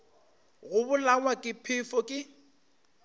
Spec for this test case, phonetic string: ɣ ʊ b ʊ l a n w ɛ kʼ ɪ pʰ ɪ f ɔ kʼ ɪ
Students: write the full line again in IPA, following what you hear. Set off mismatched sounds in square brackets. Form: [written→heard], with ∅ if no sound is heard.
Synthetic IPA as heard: ɣ ʊ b ʊ l a [n→ŋ] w [ɛ→a] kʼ ɪ pʰ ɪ f ɔ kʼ ɪ